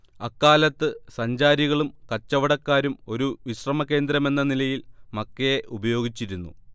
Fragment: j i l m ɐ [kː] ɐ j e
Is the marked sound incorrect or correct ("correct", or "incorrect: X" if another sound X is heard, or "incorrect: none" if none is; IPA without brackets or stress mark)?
correct